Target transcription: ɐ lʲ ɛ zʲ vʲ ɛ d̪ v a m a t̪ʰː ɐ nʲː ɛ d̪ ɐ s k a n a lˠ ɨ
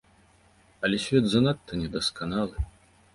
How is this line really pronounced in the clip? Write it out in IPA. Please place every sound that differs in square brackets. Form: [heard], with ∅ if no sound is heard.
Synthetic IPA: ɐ lʲ ɛ [sʲ] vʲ ɛ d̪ [z] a [n] a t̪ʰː ɐ [nʲ] ɛ d̪ ɐ s k a n a lˠ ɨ